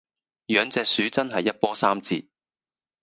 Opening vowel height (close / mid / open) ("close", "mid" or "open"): mid